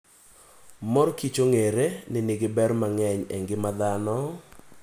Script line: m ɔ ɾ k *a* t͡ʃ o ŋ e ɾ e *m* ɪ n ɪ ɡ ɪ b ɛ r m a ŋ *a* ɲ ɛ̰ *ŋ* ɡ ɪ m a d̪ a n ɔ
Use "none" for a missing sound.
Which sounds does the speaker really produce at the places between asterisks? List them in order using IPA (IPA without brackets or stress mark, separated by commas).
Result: i, n, ɛ, ŋ